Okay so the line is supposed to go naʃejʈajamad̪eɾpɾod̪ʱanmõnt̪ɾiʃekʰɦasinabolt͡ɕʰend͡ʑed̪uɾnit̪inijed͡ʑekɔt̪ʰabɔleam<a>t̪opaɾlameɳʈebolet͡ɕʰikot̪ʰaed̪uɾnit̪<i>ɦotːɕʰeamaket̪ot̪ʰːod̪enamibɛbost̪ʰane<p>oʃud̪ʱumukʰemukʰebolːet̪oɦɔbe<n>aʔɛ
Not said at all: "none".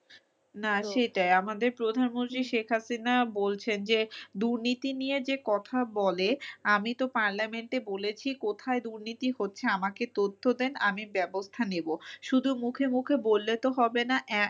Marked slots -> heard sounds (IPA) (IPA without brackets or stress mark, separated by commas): i, i, b, n